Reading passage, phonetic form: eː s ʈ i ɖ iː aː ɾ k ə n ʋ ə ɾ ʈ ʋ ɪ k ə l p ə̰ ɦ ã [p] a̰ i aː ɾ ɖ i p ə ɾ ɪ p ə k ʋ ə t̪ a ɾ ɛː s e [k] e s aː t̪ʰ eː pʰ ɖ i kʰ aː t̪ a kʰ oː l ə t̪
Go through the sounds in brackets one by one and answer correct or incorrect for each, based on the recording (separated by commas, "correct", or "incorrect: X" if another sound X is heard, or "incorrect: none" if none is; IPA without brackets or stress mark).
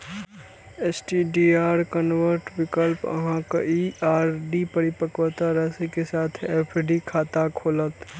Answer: incorrect: k, correct